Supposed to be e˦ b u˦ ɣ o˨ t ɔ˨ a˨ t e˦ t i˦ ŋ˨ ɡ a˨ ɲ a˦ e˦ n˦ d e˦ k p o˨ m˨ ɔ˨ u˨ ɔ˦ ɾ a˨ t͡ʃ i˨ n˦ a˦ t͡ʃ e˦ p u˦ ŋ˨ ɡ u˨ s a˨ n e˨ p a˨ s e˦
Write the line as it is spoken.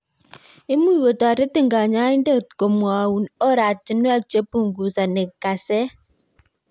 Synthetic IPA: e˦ m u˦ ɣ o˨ t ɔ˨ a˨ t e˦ t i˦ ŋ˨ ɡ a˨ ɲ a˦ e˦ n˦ d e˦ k k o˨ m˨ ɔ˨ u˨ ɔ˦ ɾ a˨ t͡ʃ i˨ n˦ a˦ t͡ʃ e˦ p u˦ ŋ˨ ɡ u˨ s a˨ n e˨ k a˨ s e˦